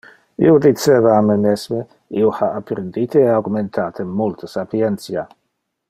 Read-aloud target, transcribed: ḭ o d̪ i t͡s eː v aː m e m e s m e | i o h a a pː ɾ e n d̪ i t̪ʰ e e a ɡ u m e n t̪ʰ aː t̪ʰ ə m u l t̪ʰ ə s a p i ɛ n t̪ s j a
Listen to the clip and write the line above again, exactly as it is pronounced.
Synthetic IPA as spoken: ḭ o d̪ i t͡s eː v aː m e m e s m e | i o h a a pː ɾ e n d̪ i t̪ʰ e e a ɡ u m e n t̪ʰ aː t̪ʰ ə m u l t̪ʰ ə s a p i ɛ n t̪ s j a